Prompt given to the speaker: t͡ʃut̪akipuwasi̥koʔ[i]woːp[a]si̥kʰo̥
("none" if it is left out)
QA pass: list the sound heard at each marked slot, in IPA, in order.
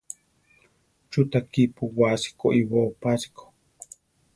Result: i, a

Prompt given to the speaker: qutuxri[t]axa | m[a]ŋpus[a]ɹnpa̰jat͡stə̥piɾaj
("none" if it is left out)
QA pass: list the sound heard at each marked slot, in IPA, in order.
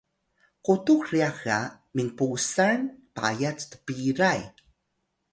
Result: none, i, a

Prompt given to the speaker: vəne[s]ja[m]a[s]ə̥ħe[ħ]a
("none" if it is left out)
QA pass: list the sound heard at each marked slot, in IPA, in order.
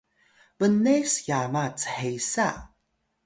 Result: s, m, t͡s, s

